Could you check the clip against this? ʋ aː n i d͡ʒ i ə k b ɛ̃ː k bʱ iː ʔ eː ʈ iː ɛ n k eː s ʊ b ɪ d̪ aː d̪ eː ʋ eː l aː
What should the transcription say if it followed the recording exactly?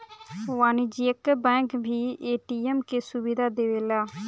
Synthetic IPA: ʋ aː n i d͡ʒ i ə k b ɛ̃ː k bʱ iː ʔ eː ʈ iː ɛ m k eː s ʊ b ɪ d̪ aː d̪ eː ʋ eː l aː